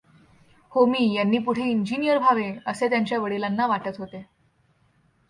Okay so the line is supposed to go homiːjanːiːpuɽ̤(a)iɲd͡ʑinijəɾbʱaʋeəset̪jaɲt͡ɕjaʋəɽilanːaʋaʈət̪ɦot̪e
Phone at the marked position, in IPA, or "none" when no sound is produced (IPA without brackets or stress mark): e